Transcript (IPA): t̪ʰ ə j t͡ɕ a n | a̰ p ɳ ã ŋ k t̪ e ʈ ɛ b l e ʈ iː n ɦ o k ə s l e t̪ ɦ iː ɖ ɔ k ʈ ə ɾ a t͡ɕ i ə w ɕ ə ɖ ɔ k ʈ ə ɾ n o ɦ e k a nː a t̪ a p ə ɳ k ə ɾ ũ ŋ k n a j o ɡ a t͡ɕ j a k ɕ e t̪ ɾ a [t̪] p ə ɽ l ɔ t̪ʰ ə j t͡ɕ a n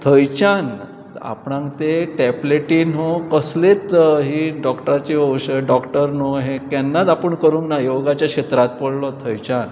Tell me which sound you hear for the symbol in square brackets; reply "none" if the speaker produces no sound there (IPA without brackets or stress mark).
t̪